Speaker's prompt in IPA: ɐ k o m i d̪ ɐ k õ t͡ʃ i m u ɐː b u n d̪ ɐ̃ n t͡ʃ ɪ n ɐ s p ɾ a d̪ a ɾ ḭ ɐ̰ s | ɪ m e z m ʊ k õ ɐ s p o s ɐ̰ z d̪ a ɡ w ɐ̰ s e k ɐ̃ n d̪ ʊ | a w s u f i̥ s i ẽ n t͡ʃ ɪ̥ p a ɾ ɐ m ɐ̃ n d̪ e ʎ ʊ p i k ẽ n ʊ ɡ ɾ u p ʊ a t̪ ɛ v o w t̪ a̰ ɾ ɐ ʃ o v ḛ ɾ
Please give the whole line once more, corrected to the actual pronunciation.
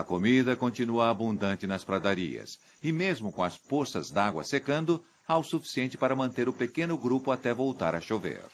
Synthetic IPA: ɐ k o m i d̪ ɐ k õ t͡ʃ i n u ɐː b ũ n d̪ ɐ̃ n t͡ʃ ɪ n ɐ s p ɾ a d̪ a ɾ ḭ ɐ̰ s | ɪ m e z m ʊ k õ ɐ s p o s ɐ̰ z d̪ a ɡ w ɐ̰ s e k ɐ̃ n d̪ ʊ | a w s u f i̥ s i ẽ n t͡ʃ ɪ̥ p a ɾ ɐ m ɐ̃ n t̪ e ɾ ʊ p e k ẽ n ʊ ɡ ɾ u p ʊ a t̪ ɛ v o w t̪ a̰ ɾ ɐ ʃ o v ḛ ɾ

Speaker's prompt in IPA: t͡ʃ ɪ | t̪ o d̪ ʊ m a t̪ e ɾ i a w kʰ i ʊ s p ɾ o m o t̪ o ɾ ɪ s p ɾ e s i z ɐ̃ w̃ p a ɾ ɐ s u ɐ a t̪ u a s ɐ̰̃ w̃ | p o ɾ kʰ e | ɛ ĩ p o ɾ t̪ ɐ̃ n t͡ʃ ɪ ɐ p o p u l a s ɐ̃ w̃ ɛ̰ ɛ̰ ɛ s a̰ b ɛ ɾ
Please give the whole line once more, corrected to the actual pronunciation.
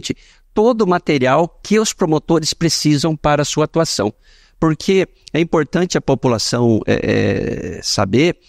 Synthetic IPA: t͡ʃ ɪ | t̪ o d̪ ʊ m a t̪ e ɾ i a w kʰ ɪ ʊ s p ɾ o m o t̪ o ɾ ɪ s p ɾ e s i z ɐ̃ w̃ p a ɾ ɐ s u ɐ a t̪ u a s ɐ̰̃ w̃ | p o ɾ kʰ e | ɛ ĩ p o ɾ t̪ ɐ̃ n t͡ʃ ɪ ɐ p o p u l a s ɐ̃ w̃ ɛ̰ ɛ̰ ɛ s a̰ b e ɾ

